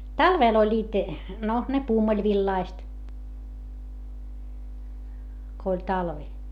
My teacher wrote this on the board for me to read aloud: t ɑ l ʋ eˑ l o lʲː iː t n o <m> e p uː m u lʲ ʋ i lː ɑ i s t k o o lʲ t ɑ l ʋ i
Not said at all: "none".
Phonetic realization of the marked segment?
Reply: n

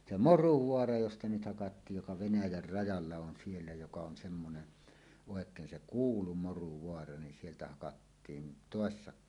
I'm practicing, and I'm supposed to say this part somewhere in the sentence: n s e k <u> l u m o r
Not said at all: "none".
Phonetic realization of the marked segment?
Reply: uː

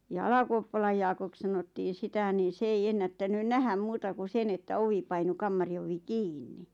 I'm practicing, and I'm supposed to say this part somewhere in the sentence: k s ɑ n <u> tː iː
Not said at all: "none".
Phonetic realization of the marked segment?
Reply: o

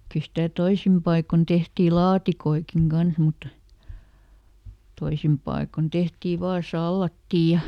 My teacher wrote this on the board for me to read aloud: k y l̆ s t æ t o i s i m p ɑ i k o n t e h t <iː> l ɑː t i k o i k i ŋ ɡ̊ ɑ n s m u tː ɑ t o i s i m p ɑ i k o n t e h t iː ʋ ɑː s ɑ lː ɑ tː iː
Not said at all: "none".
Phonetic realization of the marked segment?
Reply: iː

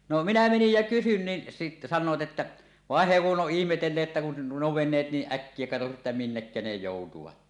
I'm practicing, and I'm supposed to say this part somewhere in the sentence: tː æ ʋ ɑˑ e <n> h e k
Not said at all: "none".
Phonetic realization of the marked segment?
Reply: n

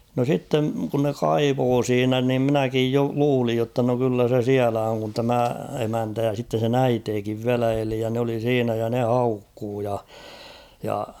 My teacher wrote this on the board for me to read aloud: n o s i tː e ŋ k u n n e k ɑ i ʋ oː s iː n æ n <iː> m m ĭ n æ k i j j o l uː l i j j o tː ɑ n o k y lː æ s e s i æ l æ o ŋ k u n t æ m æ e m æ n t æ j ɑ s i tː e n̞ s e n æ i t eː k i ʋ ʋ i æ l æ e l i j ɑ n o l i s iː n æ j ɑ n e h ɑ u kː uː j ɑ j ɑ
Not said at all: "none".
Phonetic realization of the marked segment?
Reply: i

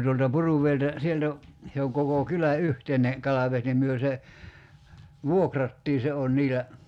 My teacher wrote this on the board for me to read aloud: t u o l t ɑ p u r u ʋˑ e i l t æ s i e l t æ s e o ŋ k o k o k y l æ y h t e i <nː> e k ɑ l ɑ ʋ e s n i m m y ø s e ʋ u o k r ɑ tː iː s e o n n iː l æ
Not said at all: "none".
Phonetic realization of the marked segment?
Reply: n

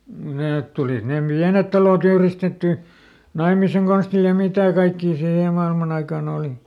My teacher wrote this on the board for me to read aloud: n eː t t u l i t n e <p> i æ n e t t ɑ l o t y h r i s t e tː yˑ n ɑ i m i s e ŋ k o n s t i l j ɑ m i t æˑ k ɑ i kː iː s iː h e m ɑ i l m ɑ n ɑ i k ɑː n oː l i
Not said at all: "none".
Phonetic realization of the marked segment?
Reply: p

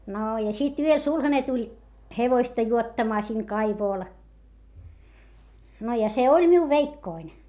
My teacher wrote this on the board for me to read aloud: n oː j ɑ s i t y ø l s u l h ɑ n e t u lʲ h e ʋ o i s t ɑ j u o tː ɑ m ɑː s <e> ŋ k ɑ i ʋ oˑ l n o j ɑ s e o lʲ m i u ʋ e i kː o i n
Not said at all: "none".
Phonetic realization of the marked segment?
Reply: i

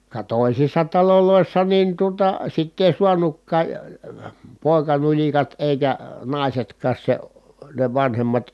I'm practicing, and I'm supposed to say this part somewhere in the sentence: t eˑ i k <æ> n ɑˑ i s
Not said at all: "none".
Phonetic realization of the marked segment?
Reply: æ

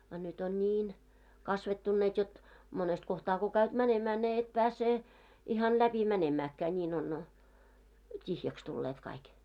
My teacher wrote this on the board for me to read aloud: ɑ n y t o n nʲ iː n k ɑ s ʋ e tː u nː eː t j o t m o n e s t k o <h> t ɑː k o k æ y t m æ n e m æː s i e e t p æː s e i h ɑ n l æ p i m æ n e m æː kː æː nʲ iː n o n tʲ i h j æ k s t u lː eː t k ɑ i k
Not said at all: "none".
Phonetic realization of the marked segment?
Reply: h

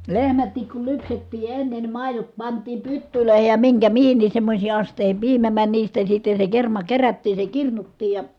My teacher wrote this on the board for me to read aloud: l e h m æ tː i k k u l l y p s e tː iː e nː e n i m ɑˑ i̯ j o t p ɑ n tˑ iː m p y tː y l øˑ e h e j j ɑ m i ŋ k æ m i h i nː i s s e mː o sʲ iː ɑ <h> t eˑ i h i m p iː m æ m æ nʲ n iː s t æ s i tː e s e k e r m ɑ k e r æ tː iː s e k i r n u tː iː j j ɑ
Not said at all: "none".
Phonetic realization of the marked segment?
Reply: s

